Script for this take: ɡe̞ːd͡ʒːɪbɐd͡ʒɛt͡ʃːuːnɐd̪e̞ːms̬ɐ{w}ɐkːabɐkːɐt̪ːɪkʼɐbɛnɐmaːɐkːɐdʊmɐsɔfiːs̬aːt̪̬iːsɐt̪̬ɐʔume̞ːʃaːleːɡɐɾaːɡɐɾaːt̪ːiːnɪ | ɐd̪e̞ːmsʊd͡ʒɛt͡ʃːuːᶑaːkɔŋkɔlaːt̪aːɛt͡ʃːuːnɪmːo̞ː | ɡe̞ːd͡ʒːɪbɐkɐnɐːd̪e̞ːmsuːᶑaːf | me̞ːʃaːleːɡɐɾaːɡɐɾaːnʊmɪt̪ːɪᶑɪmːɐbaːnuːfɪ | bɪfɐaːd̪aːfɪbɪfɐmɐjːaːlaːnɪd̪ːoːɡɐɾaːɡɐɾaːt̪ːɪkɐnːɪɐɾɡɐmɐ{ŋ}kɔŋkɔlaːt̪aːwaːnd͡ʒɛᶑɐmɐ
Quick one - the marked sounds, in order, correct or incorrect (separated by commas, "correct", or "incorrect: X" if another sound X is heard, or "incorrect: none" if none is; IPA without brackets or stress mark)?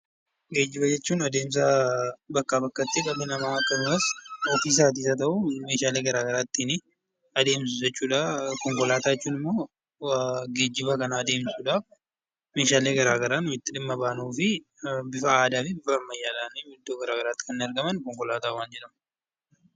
incorrect: b, incorrect: n